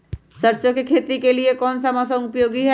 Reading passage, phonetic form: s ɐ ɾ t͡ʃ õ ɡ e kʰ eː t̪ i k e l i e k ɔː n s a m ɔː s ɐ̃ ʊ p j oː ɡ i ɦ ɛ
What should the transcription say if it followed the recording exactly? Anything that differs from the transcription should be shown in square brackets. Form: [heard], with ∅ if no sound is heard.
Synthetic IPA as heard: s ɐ ɾ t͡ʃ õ [k] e kʰ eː t̪ i k e l i e k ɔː n s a m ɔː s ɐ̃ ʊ p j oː ɡ i ɦ ɛ